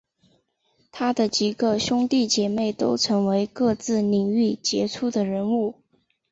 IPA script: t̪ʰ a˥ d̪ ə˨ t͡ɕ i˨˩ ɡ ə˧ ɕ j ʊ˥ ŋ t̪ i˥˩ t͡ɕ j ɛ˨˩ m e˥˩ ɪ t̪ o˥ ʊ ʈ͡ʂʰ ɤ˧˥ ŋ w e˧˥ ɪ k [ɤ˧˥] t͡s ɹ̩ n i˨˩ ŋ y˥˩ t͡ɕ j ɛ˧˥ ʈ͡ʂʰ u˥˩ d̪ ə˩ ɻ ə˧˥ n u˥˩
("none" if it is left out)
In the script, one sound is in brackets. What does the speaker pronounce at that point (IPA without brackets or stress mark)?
ɤ˥˧